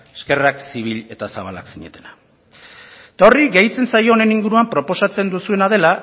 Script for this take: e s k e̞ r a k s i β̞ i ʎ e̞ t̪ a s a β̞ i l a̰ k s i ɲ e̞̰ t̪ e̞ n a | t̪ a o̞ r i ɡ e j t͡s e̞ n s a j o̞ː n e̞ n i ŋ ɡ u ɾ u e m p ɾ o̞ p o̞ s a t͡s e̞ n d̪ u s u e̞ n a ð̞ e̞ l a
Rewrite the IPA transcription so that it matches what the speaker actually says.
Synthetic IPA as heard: e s k e̞ r a k s i β̞ i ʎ e̞ t̪ a s a β̞ a l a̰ k s i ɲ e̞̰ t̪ e̞ n a | t̪ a o̞ r i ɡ e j t͡s e̞ n s a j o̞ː n e̞ n i ŋ ɡ u ɾ u a m p ɾ o̞ p o̞ s a t͡s e̞ n d̪ u s u e̞ n a ð̞ e̞ l a